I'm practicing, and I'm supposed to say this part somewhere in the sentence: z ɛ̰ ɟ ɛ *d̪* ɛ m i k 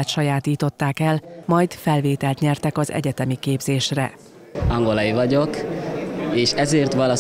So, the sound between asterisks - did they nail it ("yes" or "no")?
no